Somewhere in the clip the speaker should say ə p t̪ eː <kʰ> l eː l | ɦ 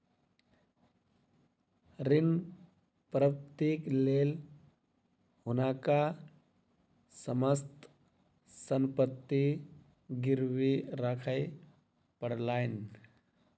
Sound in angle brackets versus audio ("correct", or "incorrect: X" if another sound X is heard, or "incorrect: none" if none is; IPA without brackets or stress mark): incorrect: k